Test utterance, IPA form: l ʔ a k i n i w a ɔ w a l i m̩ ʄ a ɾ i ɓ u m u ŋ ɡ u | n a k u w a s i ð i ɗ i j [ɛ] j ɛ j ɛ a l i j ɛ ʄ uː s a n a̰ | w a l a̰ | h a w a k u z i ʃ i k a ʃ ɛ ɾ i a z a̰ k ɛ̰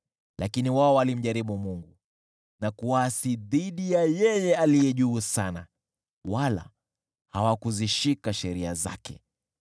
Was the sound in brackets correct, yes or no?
no